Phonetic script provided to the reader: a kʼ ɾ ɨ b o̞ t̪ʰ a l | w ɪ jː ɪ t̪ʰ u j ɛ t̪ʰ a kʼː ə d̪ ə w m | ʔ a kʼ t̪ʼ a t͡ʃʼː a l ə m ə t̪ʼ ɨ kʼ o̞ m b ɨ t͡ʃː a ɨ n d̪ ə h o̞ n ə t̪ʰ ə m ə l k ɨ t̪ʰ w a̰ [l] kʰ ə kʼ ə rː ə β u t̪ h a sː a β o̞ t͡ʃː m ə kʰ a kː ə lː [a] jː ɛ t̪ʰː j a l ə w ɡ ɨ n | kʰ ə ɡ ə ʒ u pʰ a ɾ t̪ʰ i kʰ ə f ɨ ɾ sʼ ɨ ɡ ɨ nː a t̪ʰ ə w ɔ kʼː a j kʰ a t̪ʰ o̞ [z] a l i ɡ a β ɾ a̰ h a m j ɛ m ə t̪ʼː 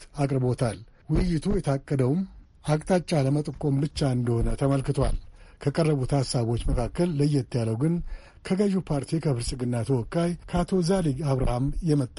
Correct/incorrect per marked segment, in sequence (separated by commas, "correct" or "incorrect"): correct, incorrect, correct